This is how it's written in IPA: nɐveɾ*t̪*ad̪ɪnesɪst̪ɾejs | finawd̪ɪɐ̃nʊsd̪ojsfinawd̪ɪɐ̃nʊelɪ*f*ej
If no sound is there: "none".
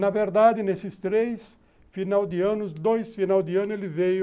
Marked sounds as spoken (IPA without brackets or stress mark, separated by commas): d̪, v